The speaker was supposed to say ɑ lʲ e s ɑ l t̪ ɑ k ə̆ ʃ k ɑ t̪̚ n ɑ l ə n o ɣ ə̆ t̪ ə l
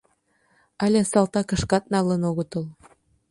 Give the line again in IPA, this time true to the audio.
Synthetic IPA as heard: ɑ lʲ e s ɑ l t̪ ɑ k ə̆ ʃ k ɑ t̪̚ n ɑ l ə n o ɣ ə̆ t̪ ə l